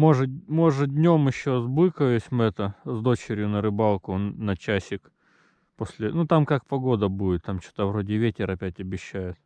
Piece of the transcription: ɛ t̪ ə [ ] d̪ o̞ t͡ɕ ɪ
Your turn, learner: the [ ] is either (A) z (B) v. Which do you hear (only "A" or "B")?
A